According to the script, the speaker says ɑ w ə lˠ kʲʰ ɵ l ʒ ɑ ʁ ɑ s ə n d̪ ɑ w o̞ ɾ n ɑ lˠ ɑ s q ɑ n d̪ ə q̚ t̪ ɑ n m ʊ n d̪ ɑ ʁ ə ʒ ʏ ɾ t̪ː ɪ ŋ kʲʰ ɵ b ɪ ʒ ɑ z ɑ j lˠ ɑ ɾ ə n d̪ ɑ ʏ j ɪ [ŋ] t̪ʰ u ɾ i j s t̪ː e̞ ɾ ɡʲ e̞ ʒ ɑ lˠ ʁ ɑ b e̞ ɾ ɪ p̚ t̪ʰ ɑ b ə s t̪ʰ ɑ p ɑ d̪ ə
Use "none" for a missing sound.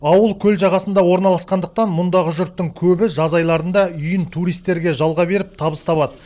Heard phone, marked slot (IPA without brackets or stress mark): n